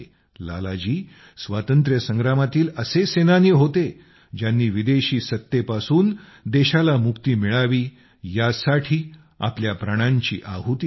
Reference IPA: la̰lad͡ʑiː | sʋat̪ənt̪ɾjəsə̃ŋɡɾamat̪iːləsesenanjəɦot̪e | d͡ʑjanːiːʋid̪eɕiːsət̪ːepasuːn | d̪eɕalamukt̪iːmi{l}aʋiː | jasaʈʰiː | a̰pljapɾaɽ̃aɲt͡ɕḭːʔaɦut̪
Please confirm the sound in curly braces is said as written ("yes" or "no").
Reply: no